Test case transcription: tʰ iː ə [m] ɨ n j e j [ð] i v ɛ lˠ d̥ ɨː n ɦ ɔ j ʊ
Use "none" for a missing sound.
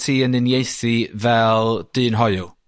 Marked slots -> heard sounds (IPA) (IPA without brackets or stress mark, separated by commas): n, θ